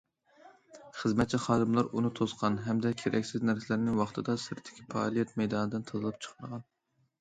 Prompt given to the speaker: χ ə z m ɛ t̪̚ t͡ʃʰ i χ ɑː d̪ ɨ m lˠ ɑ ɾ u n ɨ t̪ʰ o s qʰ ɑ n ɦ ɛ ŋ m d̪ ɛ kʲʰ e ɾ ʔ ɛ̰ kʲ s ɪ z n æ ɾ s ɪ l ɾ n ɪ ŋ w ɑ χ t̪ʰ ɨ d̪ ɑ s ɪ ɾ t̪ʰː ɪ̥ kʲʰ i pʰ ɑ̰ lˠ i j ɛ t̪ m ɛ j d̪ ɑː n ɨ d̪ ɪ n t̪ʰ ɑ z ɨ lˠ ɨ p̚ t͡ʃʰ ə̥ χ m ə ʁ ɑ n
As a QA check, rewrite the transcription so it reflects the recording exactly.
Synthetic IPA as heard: χ ə z m ɛ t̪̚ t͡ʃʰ i χ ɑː d̪ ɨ m lˠ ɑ ɾ u n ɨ t̪ʰ o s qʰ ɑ n ɦ ɛ m d̪ ɛ kʲʰ e ɾ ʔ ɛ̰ kʲ s ɪ z n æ ɾ s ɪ l ɾ n ɪ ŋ w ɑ χ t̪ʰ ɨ d̪ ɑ s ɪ ɾ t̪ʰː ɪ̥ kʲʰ i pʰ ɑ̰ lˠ i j ɛ t̪ m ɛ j d̪ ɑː n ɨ d̪ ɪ n t̪ʰ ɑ z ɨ lˠ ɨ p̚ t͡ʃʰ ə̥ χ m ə ʁ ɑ n

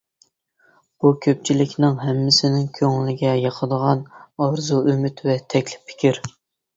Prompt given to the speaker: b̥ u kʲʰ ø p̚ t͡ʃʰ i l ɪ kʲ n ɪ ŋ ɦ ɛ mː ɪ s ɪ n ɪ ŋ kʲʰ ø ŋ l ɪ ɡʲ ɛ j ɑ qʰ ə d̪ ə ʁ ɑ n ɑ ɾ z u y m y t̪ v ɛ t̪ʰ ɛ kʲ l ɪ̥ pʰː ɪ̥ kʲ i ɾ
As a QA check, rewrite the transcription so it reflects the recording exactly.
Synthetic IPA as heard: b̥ u kʲʰ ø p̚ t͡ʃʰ i l ɪ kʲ n ɪ ŋ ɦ ɛ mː ɪ s ɪ n ɪ ŋ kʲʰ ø ŋ l ɪ ɡʲ ɛ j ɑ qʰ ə d̪ ə ʁ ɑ n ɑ ɾ z u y m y t̪ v ɛ t̪ʰ ɛ kʲ l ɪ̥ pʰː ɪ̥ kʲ i ɾ

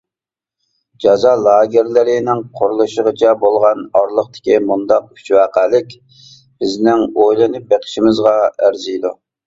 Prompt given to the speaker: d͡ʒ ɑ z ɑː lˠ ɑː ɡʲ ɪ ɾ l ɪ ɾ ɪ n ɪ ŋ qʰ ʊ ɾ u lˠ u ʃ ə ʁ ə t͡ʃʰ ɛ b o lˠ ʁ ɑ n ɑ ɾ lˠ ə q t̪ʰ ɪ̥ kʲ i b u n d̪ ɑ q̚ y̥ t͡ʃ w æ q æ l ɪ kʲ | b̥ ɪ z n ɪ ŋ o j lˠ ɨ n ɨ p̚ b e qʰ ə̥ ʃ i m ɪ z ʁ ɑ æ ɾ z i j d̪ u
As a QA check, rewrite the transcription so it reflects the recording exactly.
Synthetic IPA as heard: d͡ʒ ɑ z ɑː lˠ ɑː ɡʲ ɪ ɾ l ɪ ɾ ɪ n ɪ ŋ qʰ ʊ ɾ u lˠ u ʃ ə ʁ ə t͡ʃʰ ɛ b o lˠ ʁ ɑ n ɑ ɾ lˠ ə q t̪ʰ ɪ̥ kʲ i m u n d̪ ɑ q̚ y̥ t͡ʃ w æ q æ l ɪ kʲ | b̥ ɪ z n ɪ ŋ o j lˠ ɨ n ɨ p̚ b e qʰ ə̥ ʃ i m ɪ z ʁ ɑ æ ɾ z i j d̪ u

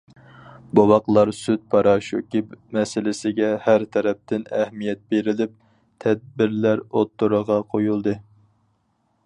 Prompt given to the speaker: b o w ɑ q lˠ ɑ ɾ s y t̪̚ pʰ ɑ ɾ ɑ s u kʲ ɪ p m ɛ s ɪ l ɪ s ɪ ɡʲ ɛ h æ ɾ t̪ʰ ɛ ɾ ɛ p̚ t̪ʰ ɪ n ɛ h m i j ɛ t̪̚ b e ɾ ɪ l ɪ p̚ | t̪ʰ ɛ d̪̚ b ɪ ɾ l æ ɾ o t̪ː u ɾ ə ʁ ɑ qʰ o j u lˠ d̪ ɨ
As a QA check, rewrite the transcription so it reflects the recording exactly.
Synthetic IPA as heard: b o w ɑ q lˠ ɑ ɾ s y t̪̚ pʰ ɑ ɾ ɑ ʃ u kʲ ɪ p m ɛ s ɪ l ɪ s ɪ ɡʲ ɛ h æ ɾ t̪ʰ ɛ ɾ ɛ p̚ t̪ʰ ɪ n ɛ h m i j ɛ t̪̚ b e ɾ ɪ l ɪ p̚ | t̪ʰ ɛ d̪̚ b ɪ ɾ l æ ɾ o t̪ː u ɾ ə ʁ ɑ qʰ o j u lˠ d̪ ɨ

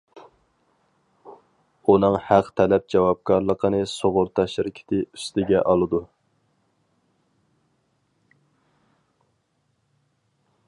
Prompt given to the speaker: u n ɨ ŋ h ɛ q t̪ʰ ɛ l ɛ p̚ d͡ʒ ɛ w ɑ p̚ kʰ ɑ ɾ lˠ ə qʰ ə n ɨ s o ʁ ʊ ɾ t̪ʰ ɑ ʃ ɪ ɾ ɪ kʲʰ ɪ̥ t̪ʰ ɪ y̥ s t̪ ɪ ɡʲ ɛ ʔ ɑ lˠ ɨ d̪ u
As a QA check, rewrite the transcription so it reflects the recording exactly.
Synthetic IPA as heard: u n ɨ ŋ h æ q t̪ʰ ɛ l ɛ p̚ d͡ʒ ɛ w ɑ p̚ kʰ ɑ ɾ lˠ ə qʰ ə n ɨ s o ʁ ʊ ɾ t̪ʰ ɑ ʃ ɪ ɾ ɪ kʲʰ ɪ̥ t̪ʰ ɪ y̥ s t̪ ɪ ɡʲ ɛ ʔ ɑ lˠ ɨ d̪ u

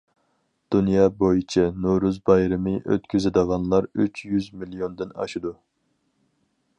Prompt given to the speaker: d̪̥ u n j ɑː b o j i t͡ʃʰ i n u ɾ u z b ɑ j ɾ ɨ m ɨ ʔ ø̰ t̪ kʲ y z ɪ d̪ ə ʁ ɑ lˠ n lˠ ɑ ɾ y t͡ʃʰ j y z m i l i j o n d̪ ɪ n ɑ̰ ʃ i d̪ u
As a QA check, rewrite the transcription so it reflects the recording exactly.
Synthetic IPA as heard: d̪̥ u n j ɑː b o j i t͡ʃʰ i n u ɾ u z b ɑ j ɾ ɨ m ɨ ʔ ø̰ t̪ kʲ y z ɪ d̪ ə ʁ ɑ n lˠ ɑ ɾ y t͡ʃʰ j y z m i l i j o n d̪ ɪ n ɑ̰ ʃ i d̪ u

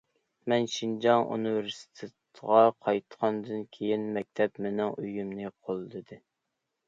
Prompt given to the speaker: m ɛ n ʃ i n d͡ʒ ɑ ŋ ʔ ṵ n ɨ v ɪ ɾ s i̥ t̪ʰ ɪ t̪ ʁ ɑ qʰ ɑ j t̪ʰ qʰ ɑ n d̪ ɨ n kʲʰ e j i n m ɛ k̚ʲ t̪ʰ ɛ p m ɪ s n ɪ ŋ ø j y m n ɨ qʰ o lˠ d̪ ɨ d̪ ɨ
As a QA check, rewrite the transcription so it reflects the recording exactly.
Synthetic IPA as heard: m ɛ n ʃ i n d͡ʒ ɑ ŋ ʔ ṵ n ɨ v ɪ ɾ s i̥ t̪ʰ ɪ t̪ ʁ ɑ qʰ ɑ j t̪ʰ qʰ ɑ n d̪ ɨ n kʲʰ e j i n m ɛ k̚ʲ t̪ʰ ɛ p m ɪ n ɪ ŋ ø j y m n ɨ qʰ o lˠ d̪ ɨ d̪ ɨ

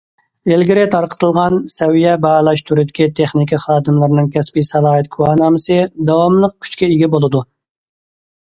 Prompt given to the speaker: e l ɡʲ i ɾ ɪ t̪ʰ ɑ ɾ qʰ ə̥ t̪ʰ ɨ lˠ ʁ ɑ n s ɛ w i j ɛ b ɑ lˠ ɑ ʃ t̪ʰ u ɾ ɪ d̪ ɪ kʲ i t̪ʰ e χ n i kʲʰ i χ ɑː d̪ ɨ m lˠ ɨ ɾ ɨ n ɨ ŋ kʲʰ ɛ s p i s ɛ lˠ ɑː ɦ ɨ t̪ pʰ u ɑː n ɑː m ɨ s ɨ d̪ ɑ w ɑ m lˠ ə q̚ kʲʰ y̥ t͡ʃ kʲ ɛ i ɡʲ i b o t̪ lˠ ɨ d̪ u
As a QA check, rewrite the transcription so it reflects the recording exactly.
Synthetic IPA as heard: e l ɡʲ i ɾ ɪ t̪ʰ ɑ ɾ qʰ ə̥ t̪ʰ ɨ lˠ ʁ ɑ n s ɛ w i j ɛ b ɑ lˠ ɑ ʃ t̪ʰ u ɾ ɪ d̪ ɪ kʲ i t̪ʰ e χ n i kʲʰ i χ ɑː d̪ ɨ m lˠ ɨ ɾ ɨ n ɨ ŋ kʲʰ ɛ s p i s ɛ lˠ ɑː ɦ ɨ t̪ kʰ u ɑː n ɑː m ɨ s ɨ d̪ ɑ w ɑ m lˠ ə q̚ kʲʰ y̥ t͡ʃ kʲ ɛ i ɡʲ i b o lˠ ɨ d̪ u

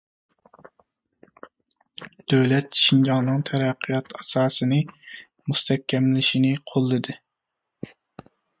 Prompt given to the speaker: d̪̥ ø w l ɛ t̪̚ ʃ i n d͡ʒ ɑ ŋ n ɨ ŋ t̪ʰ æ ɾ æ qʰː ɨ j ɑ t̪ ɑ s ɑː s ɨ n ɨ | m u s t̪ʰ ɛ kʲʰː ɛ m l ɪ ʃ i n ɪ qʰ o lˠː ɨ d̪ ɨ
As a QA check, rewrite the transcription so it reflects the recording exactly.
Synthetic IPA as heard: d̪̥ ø w l ɛ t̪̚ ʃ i n d͡ʒ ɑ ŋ n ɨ ŋ t̪ʰ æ ɾ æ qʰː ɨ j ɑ t̪ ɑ s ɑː s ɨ n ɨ | m u s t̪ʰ ɛ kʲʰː ɛ m l ɪ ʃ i n ɪ qʰ o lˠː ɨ d̪ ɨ

